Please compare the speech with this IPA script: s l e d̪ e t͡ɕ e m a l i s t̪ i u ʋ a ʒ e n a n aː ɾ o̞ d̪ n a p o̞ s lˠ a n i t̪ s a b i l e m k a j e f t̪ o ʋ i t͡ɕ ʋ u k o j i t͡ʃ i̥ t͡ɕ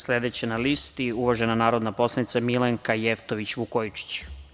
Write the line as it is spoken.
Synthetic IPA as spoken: s l e d̪ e t͡ɕ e n a l i s t̪ i u ʋ a ʒ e n a n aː ɾ o̞ d̪ n a p o̞ s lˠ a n i t̪ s a m i l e ŋ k a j e f t̪ o ʋ i t͡ɕ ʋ u k o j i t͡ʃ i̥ t͡ɕ